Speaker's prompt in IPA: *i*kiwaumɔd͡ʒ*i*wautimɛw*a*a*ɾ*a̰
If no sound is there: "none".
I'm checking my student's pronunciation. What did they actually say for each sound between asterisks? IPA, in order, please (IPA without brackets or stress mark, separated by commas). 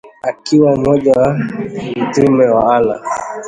a, a, a, l